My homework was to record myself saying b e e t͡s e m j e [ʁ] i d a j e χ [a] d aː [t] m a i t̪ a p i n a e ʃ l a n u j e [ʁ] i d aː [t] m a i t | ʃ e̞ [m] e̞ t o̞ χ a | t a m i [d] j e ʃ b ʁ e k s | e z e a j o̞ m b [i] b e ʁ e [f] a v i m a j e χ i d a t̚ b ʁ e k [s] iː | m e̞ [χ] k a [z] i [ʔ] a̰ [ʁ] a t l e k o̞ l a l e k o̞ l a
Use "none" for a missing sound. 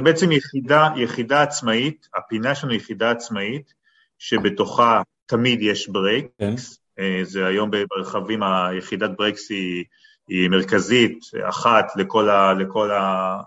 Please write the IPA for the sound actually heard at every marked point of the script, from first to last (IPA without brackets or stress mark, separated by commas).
χ, i, t͡s, χ, t͡s, b, d, e, χ, s, ʁ, z, t, χ